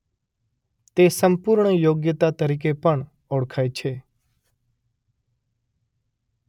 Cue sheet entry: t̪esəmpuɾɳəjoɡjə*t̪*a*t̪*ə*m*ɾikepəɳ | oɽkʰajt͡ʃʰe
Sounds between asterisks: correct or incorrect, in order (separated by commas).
correct, correct, incorrect